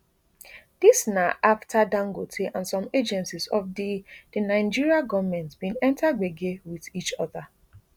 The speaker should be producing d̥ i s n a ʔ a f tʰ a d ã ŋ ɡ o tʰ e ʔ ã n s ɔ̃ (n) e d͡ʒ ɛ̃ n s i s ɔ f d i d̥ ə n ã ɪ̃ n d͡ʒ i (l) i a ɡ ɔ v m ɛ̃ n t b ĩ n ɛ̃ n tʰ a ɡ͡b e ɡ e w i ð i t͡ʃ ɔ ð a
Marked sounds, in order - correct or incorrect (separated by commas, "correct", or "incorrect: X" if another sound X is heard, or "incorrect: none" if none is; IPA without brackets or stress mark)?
incorrect: m, incorrect: ɹ